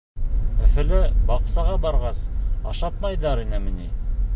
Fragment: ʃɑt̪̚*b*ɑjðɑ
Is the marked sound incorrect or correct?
incorrect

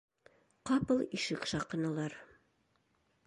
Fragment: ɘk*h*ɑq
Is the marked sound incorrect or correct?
incorrect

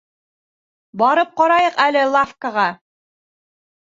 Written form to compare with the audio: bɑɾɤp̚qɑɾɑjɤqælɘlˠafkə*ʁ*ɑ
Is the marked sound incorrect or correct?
correct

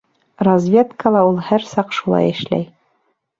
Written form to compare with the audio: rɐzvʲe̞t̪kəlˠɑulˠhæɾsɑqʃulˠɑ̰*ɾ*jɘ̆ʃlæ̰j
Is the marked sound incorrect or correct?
incorrect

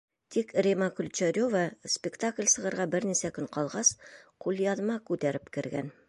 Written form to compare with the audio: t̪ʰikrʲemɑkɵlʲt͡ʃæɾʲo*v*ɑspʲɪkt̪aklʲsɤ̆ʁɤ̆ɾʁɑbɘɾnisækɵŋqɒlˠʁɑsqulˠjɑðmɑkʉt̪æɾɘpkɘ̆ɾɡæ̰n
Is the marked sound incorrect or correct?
correct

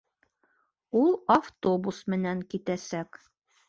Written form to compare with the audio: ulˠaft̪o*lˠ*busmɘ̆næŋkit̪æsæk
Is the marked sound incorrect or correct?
incorrect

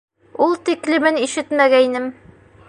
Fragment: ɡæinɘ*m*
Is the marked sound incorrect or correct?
correct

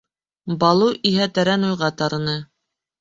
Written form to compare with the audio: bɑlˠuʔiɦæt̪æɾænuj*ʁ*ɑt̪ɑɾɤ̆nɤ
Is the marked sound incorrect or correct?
correct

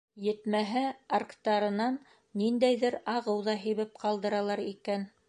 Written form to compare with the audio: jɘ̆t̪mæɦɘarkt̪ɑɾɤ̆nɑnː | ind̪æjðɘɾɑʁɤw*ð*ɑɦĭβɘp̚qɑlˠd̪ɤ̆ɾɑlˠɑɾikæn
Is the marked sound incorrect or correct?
correct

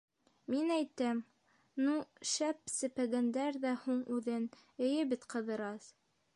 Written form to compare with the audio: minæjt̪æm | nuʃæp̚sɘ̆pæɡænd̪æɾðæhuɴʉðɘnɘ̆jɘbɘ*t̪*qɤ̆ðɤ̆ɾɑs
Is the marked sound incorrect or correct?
correct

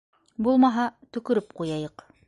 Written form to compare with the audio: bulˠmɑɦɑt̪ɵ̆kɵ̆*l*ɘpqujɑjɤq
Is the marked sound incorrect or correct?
incorrect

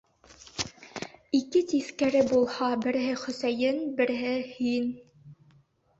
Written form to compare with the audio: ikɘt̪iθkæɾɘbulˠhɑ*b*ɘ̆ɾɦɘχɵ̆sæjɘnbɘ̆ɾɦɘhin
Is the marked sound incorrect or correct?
correct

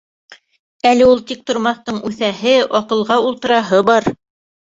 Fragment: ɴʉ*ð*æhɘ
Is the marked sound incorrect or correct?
incorrect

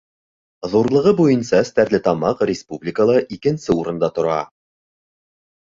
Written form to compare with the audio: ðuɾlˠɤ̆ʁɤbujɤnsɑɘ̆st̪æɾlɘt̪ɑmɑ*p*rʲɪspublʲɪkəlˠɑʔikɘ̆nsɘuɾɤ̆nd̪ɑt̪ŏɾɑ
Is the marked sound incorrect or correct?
incorrect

